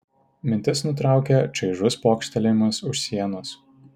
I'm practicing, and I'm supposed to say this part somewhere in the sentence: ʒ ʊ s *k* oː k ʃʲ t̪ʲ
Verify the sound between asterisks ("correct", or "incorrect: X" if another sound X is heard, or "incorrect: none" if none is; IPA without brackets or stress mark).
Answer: incorrect: p